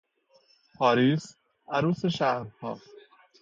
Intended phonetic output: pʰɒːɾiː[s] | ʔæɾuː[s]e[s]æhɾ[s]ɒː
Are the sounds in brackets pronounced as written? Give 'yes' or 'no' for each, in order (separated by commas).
yes, yes, no, no